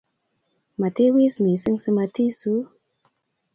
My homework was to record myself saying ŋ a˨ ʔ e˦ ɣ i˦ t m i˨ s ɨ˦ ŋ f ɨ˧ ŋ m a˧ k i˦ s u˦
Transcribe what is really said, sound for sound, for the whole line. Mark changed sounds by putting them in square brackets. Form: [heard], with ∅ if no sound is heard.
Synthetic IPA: [m] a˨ [t] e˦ [w] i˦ [s] m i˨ s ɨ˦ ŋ [s] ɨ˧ [∅] m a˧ [t] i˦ s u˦